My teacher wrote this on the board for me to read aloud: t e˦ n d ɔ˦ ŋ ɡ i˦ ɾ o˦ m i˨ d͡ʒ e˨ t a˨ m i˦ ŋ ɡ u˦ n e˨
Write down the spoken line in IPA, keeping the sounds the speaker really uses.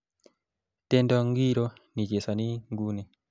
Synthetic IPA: t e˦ n d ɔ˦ ŋ ɡ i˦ ɾ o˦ n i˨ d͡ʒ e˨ s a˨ n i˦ ŋ ɡ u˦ n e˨